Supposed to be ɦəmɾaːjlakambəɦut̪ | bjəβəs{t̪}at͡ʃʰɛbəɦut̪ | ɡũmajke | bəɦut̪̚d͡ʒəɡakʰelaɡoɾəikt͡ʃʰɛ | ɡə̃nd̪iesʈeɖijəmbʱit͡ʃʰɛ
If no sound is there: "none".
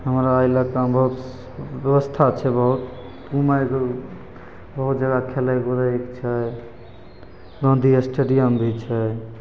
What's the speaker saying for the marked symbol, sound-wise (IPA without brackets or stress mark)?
t̪ʰ